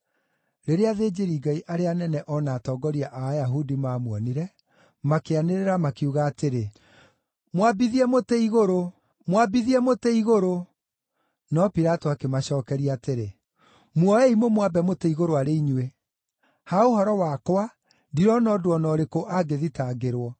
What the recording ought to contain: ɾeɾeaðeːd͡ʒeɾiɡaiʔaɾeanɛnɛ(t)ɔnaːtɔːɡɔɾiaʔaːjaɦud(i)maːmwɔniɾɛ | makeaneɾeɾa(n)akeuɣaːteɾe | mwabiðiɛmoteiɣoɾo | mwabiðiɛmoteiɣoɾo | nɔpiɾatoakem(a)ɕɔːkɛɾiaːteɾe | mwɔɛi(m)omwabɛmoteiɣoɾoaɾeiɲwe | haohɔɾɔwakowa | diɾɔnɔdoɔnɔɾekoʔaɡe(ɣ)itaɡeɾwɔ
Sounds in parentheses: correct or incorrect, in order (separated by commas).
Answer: incorrect, correct, incorrect, correct, correct, incorrect